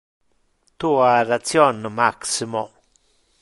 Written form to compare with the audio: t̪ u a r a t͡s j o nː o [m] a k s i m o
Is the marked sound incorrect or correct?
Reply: correct